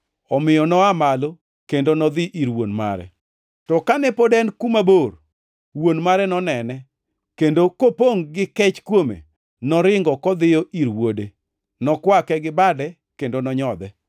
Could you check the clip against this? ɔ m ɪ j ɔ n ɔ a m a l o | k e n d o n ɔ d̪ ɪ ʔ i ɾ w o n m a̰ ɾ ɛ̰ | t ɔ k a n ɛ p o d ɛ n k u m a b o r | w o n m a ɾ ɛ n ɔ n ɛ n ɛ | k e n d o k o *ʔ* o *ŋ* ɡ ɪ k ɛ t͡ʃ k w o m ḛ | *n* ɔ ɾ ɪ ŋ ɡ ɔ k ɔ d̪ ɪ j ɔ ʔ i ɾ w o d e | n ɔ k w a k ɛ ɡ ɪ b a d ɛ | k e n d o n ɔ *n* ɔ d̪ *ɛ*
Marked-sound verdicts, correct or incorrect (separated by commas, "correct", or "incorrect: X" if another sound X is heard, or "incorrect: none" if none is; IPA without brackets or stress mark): incorrect: p, correct, correct, incorrect: ɲ, correct